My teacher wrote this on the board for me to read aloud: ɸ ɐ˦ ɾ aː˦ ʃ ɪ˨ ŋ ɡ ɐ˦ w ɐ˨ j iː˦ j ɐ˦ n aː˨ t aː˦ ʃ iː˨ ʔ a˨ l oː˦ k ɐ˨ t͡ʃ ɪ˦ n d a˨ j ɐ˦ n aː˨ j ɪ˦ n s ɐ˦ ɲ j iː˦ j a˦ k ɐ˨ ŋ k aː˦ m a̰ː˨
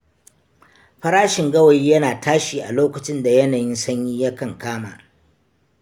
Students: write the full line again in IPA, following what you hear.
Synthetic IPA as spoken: ɸ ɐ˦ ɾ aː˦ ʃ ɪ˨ ŋ ɡ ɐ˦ w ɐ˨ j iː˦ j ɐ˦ n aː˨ t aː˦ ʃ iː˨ ʔ a˨ l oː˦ k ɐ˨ t͡ʃ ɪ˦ n d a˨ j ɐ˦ n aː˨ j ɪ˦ n s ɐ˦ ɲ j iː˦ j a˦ k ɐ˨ ŋ k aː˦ m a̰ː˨